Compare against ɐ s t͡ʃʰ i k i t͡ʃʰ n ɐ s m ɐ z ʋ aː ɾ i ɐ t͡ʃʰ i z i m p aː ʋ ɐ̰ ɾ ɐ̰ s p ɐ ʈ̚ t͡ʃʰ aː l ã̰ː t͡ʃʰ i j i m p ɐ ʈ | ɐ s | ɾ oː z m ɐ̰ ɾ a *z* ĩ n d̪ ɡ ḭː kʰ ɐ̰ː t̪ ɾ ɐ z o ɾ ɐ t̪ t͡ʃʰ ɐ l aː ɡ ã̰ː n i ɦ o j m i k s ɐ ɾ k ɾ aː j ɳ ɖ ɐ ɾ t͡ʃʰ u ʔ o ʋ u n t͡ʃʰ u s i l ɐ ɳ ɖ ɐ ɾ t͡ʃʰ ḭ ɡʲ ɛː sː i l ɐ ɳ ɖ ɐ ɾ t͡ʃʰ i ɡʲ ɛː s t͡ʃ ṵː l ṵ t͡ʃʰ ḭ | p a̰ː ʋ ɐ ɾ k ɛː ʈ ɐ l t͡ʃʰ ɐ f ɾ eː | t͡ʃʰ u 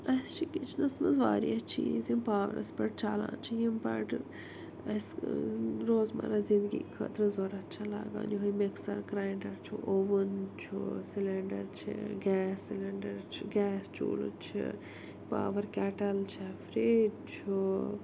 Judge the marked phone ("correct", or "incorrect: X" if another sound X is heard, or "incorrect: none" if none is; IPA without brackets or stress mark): correct